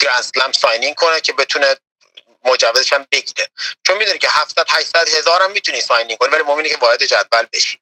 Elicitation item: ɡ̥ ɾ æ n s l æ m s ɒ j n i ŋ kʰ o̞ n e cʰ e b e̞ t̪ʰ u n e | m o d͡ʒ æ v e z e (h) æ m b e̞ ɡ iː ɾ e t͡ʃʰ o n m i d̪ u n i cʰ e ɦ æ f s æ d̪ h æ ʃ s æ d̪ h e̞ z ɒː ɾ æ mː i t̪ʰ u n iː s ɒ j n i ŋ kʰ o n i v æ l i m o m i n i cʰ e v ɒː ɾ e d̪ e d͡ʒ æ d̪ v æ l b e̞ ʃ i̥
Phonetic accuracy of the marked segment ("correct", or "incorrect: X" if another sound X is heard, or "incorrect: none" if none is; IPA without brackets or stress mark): incorrect: ʃ